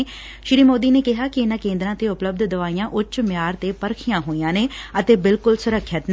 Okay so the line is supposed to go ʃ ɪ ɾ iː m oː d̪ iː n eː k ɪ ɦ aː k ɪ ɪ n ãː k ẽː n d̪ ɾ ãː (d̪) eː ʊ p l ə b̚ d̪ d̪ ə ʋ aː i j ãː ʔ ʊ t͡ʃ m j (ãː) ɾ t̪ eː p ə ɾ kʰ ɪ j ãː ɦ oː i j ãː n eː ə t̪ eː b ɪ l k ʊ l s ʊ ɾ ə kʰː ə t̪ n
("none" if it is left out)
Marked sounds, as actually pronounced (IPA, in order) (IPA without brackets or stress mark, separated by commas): t̪, aː